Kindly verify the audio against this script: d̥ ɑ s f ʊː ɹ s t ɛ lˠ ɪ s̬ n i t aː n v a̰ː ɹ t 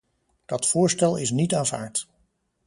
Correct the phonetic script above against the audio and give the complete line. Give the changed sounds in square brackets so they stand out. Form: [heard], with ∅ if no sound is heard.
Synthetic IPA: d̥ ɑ [t] f ʊː ɹ s t ɛ lˠ ɪ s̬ n i t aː n v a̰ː ɹ t